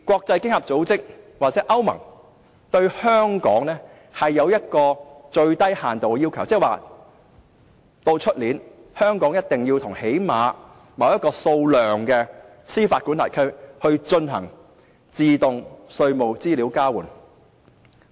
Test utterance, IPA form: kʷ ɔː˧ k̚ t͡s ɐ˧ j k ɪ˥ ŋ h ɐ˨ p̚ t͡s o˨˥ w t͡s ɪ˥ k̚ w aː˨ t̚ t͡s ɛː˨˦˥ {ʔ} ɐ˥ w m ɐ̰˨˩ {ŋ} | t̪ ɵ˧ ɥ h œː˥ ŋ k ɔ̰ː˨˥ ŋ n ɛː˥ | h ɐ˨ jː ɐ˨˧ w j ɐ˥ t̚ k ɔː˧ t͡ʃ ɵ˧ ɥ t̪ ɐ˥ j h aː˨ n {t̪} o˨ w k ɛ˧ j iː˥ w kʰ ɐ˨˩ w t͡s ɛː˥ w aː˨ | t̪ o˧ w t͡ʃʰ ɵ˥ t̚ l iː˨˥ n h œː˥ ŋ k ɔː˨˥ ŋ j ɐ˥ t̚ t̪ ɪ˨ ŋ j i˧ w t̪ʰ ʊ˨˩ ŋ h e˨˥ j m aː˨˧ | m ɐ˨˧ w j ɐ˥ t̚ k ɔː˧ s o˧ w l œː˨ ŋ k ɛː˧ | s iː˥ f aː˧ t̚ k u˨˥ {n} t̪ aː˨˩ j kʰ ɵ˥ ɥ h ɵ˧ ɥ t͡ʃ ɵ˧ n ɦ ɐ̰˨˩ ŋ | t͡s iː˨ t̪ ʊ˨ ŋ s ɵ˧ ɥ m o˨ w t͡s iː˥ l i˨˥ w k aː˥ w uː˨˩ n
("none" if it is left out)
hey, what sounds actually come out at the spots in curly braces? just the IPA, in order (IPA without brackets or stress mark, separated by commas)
ʔ, ŋ, t̪, n